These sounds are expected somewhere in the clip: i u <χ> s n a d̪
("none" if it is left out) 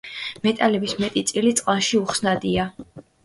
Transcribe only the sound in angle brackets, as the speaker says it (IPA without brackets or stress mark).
χ